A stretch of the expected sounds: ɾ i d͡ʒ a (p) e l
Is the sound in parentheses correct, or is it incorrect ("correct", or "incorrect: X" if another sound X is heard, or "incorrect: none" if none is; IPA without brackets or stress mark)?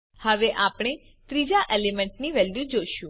incorrect: ʔ